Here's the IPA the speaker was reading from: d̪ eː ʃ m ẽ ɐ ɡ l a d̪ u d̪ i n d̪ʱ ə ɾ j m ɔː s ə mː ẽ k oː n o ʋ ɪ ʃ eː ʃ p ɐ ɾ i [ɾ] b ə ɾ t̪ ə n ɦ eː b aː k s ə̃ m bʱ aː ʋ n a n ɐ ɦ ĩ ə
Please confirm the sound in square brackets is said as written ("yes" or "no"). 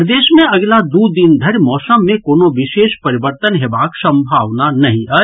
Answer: no